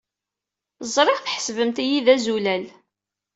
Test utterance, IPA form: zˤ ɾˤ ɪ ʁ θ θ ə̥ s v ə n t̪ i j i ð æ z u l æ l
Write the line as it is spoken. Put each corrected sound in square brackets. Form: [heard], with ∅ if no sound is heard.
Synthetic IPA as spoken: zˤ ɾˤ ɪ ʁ θ [ħ] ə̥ s v ə [m] t̪ i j i ð æ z u l æ l